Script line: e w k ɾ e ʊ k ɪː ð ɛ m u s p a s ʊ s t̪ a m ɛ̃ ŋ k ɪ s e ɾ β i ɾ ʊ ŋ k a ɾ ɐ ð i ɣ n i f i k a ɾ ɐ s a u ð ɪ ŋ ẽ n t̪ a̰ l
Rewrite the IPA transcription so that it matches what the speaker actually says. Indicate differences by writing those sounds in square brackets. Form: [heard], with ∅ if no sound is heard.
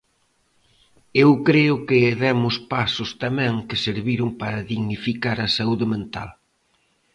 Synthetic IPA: e w k ɾ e ʊ k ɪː ð ɛ m [ʊ] s p a s ʊ s t̪ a m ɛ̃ ŋ k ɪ s e ɾ β i ɾ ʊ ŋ [p] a ɾ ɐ ð i ɣ n i f i k a ɾ ɐ s a u ð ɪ [m] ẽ n t̪ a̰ l